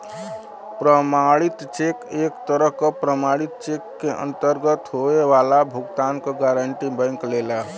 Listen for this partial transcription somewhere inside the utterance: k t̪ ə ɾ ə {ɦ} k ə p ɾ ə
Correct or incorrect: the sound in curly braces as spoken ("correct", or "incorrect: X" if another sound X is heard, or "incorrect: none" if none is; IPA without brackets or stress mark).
correct